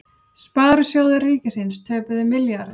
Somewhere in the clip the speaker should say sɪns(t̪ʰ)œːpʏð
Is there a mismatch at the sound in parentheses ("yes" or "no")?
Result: no